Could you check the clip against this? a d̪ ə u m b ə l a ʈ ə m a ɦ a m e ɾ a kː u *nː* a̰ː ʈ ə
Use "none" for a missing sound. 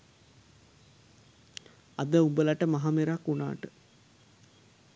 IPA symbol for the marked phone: n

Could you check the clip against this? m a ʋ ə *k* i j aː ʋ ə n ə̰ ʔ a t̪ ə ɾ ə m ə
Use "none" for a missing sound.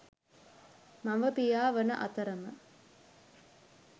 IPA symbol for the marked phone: p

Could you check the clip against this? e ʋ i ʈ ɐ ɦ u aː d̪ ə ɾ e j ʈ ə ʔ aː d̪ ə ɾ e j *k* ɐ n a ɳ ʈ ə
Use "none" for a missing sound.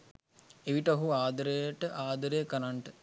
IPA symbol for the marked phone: k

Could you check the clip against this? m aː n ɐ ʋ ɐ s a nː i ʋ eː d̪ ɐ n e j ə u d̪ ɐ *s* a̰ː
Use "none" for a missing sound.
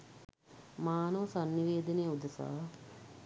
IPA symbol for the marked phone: s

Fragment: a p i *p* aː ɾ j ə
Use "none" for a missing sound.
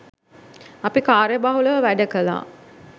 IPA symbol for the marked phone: k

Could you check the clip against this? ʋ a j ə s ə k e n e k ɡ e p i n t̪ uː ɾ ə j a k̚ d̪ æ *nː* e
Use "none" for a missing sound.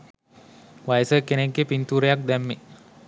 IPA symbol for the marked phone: mː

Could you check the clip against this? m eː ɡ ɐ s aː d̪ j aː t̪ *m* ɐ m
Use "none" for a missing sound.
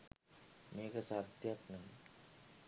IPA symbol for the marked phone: n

